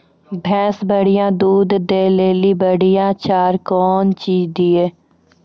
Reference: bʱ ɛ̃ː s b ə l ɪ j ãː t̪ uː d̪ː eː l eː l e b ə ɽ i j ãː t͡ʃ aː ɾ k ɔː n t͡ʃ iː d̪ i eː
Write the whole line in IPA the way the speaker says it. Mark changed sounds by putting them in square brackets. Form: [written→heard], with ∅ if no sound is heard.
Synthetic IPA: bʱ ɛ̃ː s b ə [l→ɽ] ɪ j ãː [t̪→d̪] uː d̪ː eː l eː l [e→i] b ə ɽ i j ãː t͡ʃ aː ɾ k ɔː n t͡ʃ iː d̪ i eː